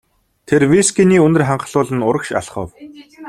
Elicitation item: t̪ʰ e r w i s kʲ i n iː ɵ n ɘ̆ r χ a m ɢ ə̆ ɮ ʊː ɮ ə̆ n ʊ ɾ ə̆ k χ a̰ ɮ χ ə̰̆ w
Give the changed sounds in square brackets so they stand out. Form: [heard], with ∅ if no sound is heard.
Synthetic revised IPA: t̪ʰ e r w i s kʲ i n iː ɵ n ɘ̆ r χ a [ɴ] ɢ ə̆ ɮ ʊː ɮ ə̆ n ʊ ɾ ə̆ k [ʃ] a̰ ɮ χ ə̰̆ w